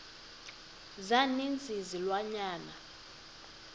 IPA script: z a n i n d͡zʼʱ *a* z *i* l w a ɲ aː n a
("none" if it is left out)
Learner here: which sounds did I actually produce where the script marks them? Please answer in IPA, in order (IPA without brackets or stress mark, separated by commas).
i, i